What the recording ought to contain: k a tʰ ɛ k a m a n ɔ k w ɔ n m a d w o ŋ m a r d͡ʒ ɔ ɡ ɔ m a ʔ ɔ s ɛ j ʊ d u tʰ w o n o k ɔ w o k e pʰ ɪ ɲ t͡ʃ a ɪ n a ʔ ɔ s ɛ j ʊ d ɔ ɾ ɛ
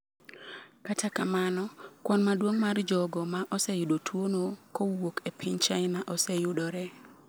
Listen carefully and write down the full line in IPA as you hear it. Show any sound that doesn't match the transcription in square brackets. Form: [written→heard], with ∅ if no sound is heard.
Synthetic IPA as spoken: k a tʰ [ɛ→a] k a m a n ɔ k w ɔ n m a d w o ŋ m a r d͡ʒ ɔ ɡ ɔ m a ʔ ɔ s ɛ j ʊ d [u→o] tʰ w o n o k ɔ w o k e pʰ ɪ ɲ t͡ʃ a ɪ n a ʔ ɔ s ɛ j ʊ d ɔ ɾ ɛ